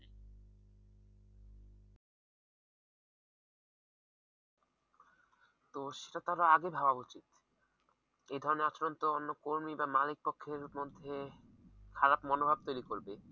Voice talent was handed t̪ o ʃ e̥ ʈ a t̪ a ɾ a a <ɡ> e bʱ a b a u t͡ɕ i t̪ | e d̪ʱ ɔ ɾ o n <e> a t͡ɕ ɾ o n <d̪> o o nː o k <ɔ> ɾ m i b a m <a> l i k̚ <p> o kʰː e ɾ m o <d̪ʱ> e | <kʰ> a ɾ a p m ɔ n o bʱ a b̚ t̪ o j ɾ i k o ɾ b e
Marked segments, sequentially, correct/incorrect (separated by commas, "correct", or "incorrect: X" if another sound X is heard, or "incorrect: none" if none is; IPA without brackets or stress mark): correct, correct, incorrect: t̪, incorrect: o, correct, correct, incorrect: d̪ʱː, correct